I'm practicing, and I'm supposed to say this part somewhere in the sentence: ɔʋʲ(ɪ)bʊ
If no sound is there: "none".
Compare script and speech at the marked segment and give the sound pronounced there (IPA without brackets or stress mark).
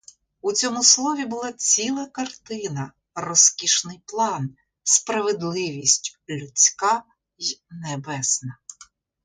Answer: i